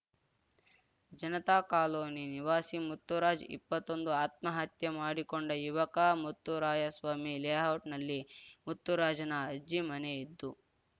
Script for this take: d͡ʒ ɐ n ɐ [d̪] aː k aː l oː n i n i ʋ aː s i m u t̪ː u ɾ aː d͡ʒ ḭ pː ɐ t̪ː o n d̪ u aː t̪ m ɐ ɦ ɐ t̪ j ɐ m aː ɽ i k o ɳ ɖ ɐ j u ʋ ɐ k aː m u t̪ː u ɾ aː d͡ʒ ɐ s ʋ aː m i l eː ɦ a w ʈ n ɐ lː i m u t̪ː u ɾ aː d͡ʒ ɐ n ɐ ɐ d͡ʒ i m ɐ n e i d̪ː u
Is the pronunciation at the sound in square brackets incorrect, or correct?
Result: incorrect: t̪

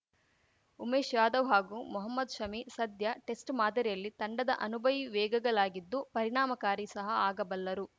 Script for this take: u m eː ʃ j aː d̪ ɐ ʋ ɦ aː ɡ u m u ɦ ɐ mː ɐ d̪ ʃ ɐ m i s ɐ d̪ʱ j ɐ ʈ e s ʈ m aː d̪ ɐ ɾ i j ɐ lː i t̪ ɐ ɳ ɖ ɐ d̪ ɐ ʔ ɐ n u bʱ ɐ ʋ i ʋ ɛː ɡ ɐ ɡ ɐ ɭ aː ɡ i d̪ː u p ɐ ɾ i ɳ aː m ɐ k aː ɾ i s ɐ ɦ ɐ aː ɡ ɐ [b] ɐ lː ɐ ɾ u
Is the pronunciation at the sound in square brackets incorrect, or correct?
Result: correct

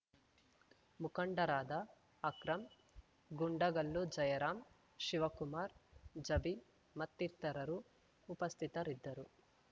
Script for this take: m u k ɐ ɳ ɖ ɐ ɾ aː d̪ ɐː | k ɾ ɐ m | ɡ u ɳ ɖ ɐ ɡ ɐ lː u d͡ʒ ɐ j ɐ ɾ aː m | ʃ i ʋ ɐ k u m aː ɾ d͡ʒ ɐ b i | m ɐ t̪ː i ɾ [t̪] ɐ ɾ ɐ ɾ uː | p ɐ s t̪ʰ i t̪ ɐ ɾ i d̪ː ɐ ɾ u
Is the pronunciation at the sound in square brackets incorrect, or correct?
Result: correct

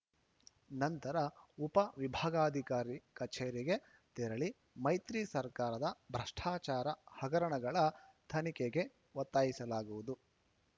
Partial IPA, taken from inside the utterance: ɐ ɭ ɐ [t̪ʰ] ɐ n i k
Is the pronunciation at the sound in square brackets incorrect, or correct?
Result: correct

